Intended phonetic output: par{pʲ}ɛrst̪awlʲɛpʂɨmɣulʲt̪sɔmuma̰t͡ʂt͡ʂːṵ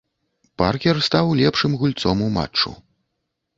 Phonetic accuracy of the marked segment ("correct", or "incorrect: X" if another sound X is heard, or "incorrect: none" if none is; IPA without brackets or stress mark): incorrect: kʲ